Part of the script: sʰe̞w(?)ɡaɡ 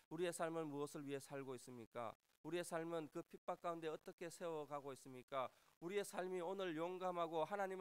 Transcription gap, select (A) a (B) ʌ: B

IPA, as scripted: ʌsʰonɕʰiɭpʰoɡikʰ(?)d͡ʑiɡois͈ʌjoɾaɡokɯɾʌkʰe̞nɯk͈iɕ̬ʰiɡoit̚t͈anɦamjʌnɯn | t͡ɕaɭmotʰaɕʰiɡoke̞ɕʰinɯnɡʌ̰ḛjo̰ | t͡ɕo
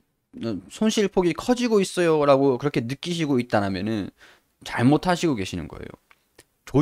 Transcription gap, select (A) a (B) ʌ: B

